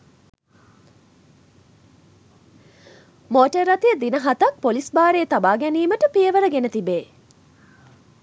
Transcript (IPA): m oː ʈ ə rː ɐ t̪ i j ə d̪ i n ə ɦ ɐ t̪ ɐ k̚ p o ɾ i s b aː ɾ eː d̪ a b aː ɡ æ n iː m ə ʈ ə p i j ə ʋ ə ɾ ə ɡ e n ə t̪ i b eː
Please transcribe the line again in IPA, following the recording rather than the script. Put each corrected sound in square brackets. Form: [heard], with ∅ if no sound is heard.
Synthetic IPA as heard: m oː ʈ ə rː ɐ t̪ i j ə d̪ i n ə ɦ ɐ t̪ ɐ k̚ p o [l] i s b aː ɾ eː [t̪] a b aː ɡ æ n iː m ə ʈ ə p i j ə ʋ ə ɾ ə ɡ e n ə t̪ i b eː

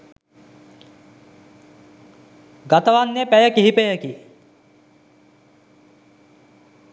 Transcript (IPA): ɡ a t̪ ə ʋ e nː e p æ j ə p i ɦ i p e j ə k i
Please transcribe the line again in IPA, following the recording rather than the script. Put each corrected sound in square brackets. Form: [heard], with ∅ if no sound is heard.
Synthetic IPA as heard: ɡ a t̪ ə ʋ [a] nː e p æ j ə [k] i ɦ i p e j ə k i

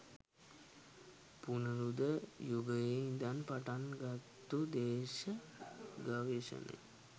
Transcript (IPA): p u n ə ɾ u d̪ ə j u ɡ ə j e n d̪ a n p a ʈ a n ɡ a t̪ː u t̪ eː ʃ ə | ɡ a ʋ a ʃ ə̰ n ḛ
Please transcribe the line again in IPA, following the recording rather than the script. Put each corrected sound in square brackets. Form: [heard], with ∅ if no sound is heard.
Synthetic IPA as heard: p u n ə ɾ u d̪ ə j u ɡ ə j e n d̪ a n p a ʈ a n ɡ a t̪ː u [d̪] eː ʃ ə | ɡ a ʋ [e] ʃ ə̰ n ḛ

